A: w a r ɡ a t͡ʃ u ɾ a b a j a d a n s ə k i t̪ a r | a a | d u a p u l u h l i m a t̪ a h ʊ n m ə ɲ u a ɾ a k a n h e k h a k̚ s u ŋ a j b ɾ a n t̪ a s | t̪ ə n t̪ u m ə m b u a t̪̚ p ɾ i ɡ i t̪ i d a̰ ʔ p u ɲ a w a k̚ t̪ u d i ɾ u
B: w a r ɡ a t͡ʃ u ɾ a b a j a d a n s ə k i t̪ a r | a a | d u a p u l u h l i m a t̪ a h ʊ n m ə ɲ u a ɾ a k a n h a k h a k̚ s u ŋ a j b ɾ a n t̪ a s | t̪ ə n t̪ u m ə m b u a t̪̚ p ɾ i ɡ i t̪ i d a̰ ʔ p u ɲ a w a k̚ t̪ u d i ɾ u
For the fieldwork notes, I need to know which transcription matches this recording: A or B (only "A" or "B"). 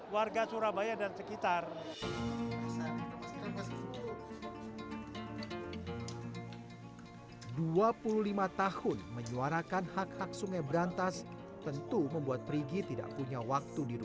B